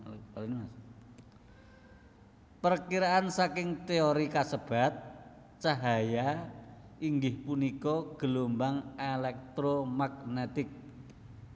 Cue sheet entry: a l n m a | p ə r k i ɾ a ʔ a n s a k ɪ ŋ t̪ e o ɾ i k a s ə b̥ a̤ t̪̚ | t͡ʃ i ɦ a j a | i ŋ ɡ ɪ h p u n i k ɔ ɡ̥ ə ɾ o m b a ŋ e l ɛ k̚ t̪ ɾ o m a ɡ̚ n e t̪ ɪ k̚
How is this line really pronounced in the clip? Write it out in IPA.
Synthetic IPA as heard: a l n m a | p ə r k i ɾ a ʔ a n s a k ɪ ŋ t̪ e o ɾ i k a s ə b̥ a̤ t̪̚ | t͡ʃ a ɦ a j a | i ŋ ɡ ɪ h p u n i k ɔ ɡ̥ ə l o m b a ŋ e l ɛ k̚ t̪ ɾ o m a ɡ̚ n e t̪ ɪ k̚